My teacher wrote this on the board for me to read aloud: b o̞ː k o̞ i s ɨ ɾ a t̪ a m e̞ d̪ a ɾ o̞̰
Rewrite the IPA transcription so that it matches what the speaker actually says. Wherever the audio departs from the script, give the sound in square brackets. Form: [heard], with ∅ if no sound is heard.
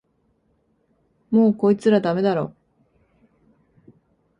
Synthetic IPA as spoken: [m] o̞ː k o̞ i [t͡s] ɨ ɾ a [d̪] a m e̞ d̪ a ɾ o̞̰